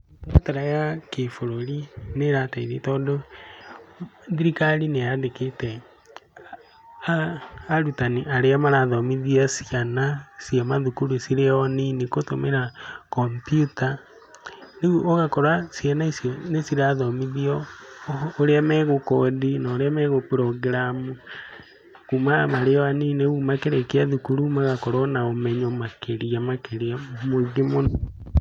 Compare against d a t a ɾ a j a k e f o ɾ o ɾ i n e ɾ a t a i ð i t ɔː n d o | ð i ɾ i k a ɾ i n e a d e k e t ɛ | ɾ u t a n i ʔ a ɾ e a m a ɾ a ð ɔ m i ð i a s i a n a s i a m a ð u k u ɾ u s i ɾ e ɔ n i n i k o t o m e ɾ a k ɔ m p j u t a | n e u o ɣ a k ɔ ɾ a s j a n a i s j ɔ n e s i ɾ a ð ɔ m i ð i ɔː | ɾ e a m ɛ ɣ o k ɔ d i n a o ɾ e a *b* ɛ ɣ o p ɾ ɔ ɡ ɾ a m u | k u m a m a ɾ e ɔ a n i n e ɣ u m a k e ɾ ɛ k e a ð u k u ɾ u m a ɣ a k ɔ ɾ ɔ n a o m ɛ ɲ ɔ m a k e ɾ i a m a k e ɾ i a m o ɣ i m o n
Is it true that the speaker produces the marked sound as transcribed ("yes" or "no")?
no